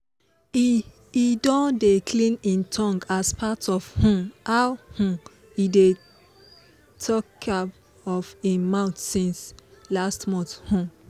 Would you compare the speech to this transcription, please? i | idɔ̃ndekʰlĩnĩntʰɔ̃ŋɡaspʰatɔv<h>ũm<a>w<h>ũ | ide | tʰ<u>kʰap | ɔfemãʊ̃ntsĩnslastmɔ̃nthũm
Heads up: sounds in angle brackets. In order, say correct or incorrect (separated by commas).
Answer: correct, correct, correct, incorrect